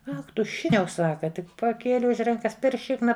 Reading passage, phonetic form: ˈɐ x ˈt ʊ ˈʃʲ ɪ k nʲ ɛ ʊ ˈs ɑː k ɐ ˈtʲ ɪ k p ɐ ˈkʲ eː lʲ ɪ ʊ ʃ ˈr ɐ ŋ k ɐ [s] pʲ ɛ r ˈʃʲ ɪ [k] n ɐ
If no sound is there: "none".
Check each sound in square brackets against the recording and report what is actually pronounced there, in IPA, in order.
s, k

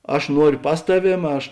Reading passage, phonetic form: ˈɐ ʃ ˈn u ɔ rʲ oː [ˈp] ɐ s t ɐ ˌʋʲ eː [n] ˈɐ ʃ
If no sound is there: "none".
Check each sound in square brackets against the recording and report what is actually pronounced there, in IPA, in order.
p, m

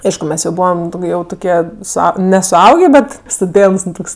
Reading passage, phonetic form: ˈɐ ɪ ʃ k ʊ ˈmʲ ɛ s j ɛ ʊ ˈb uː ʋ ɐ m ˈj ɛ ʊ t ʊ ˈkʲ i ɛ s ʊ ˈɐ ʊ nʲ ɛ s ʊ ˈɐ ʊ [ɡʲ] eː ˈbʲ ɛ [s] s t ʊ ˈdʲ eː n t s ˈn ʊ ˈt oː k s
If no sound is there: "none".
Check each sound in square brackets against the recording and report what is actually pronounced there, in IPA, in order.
ɡʲ, t

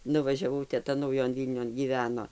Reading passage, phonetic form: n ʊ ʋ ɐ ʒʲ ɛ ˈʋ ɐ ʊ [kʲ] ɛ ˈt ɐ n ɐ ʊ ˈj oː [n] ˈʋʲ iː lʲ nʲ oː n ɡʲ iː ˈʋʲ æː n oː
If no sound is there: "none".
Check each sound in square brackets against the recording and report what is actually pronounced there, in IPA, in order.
tʲ, n

